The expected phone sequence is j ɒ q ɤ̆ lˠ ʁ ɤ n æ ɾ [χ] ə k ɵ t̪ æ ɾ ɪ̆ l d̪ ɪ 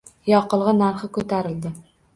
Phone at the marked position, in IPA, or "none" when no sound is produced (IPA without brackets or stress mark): χ